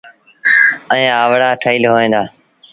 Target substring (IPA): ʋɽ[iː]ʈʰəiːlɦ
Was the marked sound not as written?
yes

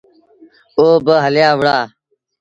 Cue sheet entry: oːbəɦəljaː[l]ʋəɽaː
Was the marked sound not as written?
yes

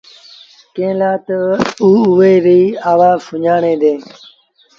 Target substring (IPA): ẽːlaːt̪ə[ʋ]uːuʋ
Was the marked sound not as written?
yes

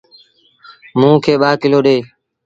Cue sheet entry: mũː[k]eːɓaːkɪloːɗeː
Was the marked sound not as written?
yes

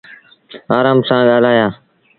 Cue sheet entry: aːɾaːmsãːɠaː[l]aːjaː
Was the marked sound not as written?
no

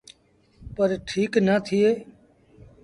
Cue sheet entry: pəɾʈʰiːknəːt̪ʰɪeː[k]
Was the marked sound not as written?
yes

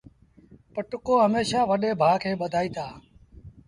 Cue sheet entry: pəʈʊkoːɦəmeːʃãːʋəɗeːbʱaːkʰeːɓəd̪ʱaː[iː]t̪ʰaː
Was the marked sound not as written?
no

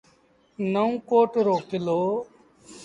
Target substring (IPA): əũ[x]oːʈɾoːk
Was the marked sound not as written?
yes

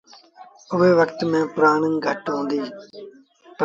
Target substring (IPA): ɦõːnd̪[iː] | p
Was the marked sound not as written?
no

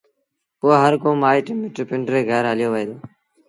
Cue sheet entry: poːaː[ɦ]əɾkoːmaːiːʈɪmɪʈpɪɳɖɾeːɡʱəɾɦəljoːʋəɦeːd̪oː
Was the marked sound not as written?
no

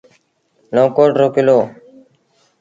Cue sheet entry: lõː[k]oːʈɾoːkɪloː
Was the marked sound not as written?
no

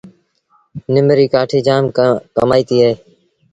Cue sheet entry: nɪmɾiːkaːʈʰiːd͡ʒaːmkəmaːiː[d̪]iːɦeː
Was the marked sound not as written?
yes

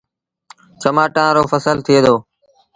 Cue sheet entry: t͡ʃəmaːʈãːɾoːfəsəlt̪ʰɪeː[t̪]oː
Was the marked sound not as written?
yes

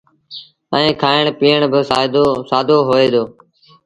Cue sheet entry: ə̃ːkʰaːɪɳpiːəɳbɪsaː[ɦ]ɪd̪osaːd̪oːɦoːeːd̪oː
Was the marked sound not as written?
yes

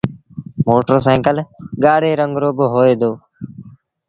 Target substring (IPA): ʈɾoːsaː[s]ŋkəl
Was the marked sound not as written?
yes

